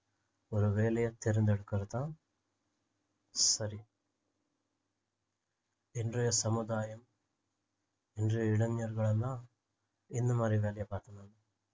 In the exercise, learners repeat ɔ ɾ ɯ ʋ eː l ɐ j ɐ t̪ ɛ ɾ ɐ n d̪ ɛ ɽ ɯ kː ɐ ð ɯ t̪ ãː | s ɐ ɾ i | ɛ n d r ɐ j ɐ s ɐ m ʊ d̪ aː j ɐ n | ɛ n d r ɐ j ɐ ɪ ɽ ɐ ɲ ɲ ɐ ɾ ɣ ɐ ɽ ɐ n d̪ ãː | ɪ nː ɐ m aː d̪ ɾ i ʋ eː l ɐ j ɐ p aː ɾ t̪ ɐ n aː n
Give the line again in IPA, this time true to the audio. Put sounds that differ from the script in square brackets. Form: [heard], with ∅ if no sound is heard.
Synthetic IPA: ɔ ɾ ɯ ʋ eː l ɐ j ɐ t̪ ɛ ɾ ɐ n d̪ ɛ ɽ ɯ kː ɐ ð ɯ t̪ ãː | s ɐ ɾ i | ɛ n d r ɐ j ɐ s ɐ m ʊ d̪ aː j ɐ [m] | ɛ n d r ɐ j ɐ ɪ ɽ ɐ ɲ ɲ ɐ ɾ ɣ ɐ [ɭ] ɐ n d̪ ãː | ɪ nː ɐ m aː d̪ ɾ i ʋ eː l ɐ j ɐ p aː ɾ t̪ ɐ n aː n